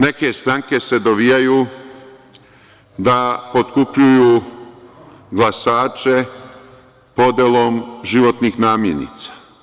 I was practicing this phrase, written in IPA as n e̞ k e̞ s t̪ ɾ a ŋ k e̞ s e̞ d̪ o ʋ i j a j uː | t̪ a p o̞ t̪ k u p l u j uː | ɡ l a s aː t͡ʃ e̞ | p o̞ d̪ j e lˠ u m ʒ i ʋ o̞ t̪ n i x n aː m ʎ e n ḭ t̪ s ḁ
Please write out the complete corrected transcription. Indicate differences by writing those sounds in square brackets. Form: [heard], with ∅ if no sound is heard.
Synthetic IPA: n e̞ k e̞ s t̪ ɾ a ŋ k e̞ s e̞ d̪ o ʋ i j a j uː | [d̪] a p o̞ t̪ k u p [ʎ] u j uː | ɡ l a s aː t͡ʃ e̞ | p o̞ d̪ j e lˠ [o] m ʒ i ʋ o̞ t̪ n i x n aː m [j] e n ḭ t̪ s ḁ

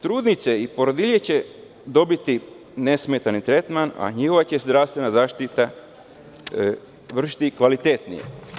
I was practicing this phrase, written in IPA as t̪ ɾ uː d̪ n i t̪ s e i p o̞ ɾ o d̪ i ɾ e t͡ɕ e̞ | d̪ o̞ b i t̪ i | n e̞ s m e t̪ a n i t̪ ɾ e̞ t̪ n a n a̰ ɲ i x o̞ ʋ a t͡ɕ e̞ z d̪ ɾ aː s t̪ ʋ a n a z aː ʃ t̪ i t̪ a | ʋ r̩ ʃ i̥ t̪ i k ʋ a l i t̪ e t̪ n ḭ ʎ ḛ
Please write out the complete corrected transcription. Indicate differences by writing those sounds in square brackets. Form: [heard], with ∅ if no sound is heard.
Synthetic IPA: t̪ ɾ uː d̪ n i t̪ s e i p o̞ ɾ o d̪ i [ʎ] e t͡ɕ e̞ | d̪ o̞ b i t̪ i | n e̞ s m e t̪ a n i t̪ ɾ e̞ t̪ [m] a n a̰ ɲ i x o̞ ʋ a t͡ɕ e̞ z d̪ ɾ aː s t̪ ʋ [e] n a z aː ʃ t̪ i t̪ a | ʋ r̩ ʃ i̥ t̪ i k ʋ a l i t̪ e t̪ n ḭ [j] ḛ

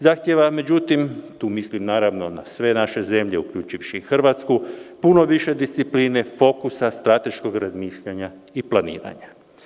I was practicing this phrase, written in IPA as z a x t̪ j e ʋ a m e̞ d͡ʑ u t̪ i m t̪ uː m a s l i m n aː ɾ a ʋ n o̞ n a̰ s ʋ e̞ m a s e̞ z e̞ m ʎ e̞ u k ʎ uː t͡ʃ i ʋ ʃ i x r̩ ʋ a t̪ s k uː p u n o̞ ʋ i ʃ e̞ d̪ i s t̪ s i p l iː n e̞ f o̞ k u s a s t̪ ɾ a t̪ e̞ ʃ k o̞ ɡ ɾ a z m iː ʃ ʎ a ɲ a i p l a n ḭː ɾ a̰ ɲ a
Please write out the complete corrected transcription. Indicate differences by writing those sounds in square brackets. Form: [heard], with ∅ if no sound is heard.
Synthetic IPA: z a x t̪ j e ʋ a m e̞ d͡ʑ u t̪ i m t̪ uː m [i] s l i m n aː ɾ a ʋ n o̞ n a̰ s ʋ e̞ [n] a [ʃ] e̞ z e̞ m ʎ e̞ u k ʎ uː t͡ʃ i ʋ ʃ i x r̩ ʋ a t̪ s k [u] p u n o̞ ʋ i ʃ e̞ d̪ i s t̪ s i p l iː n e̞ f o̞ k u s a s t̪ ɾ a t̪ e̞ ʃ k o̞ ɡ ɾ a z m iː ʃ ʎ a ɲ a i p l a n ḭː ɾ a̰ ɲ a

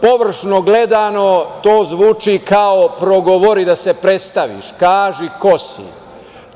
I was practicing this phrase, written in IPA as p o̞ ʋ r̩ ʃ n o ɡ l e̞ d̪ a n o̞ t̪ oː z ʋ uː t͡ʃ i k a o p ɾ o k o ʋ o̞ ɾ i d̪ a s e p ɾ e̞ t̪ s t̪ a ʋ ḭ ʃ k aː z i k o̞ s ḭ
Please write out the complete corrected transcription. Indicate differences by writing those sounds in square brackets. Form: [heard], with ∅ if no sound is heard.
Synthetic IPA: p o̞ ʋ r̩ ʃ n o ɡ l e̞ d̪ a n o̞ t̪ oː z ʋ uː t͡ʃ i k a o p ɾ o [ɡ] o ʋ o̞ ɾ i d̪ a s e p ɾ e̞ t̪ s t̪ a ʋ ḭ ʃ k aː [ʒ] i k o̞ s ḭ

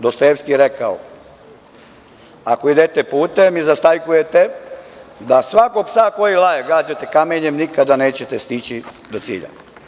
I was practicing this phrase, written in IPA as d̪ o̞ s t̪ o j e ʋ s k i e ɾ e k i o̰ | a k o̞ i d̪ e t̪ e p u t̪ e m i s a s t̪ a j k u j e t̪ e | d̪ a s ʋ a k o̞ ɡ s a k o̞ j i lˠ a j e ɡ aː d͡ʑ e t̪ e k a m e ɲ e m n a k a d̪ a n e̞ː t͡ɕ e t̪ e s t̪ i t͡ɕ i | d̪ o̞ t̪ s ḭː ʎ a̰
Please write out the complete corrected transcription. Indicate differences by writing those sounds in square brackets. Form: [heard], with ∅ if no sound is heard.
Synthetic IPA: d̪ o̞ s t̪ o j e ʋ s k i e ɾ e k [a] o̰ | a k o̞ i d̪ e t̪ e p [uː] t̪ e m i [z] a s t̪ a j k u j e t̪ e | d̪ a s ʋ a k o̞ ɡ s a k o̞ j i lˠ a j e ɡ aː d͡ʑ e t̪ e k a m e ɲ e m n [i] k a d̪ a n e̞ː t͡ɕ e t̪ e s t̪ i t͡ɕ i | d̪ o̞ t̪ s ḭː ʎ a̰

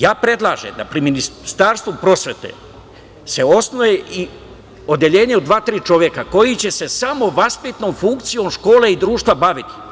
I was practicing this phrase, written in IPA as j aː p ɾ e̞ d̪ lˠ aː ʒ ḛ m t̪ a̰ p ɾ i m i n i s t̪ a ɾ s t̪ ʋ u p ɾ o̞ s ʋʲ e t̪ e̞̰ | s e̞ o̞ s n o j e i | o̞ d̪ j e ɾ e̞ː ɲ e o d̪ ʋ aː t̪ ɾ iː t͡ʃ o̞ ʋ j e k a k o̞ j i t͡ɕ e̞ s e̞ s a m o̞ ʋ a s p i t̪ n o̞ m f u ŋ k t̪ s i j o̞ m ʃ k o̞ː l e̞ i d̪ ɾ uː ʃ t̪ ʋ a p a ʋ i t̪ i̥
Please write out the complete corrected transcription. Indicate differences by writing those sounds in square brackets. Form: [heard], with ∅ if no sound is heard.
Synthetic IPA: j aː p ɾ e̞ d̪ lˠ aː ʒ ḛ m [d̪] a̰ p ɾ i m i n i s t̪ a ɾ s t̪ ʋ u p ɾ o̞ s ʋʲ e t̪ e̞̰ | s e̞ o̞ s n o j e i | o̞ d̪ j e [ʎ] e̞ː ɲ e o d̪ ʋ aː t̪ ɾ iː t͡ʃ o̞ ʋ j e k a k o̞ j i t͡ɕ e̞ s e̞ s a m o̞ ʋ a s p i t̪ n o̞ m f u ŋ k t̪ s i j o̞ m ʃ k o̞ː l e̞ i d̪ ɾ uː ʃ t̪ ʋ a [b] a ʋ i t̪ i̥

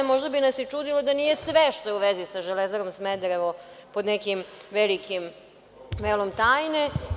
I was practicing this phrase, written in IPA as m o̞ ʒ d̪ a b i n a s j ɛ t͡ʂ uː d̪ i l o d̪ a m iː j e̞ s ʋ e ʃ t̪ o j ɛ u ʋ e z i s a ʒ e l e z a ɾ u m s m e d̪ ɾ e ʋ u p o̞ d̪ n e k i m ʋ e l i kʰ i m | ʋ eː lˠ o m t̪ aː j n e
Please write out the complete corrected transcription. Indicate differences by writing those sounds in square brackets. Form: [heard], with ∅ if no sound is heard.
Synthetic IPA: m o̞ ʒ d̪ a b i n a s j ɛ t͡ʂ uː d̪ i l o d̪ a [n] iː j e̞ s ʋ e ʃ t̪ o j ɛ u ʋ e z i s a ʒ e l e z a ɾ [o] m s m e d̪ ɾ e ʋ [o] p o̞ d̪ n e k i m ʋ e l i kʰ i m | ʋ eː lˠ o m t̪ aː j n e

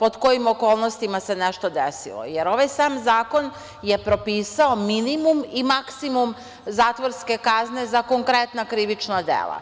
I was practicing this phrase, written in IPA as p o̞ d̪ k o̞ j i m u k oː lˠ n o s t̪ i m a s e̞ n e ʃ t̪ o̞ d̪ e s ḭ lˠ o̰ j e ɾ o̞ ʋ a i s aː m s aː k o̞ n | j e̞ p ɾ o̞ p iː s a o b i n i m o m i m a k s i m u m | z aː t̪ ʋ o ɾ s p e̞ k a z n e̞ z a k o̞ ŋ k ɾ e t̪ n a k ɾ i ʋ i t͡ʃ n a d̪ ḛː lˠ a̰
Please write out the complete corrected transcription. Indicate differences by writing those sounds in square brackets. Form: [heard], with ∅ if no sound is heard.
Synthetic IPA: p o̞ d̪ k o̞ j i m [o] k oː lˠ n o s t̪ i m a s e̞ n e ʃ t̪ o̞ d̪ e s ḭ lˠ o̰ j e ɾ o̞ ʋ a [j] s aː m [z] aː k o̞ n | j e̞ p ɾ o̞ p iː s a o [m] i n i m [u] m i m a k s i m u m | z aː t̪ ʋ o ɾ s [k] e̞ k a z n e̞ z a k o̞ ŋ k ɾ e t̪ n a k ɾ i ʋ i t͡ʃ n a d̪ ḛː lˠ a̰

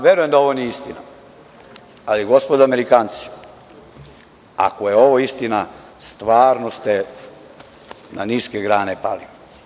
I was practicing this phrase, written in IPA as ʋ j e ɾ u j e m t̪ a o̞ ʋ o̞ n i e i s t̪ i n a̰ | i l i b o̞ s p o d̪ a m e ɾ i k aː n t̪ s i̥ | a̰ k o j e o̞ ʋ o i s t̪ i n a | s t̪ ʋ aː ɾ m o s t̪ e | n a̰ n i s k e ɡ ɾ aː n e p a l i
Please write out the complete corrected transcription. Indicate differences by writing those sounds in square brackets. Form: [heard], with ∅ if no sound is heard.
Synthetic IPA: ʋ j e ɾ u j e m [d̪] a o̞ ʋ o̞ n i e i s t̪ i n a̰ | [a] l i [ɡ] o̞ s p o d̪ a m e ɾ i k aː n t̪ s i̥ | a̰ k o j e o̞ ʋ o i s t̪ i n a | s t̪ ʋ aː ɾ [n] o s t̪ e | n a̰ n i s k e ɡ ɾ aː n e p a l i

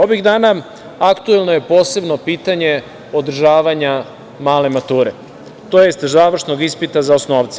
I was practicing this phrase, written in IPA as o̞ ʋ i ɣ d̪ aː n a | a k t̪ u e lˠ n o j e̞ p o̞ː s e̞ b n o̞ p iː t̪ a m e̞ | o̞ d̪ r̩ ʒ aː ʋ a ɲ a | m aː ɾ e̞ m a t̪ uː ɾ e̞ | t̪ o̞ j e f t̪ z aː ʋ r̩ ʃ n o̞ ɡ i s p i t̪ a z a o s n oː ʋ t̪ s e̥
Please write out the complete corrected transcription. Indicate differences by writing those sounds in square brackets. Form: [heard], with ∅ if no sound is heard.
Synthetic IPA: o̞ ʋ i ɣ d̪ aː n a | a k t̪ u e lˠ n o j e̞ p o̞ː s e̞ b n o̞ p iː t̪ a [ɲ] e̞ | o̞ d̪ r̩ ʒ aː ʋ a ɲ a | m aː [l] e̞ m a t̪ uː ɾ e̞ | t̪ o̞ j e [s] t̪ z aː ʋ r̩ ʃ n o̞ ɡ i s p i t̪ a z a o s n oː ʋ t̪ s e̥

